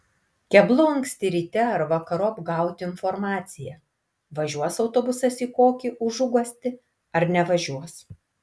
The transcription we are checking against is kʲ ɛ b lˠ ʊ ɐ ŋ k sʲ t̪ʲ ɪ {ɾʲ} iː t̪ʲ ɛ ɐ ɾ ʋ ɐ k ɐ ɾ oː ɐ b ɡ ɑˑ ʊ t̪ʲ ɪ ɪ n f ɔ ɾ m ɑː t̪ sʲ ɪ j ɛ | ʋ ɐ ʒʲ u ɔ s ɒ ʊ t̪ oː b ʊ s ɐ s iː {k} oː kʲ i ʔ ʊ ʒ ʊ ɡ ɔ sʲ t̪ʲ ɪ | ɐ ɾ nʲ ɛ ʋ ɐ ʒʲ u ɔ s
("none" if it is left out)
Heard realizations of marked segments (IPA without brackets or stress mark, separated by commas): ɾʲ, k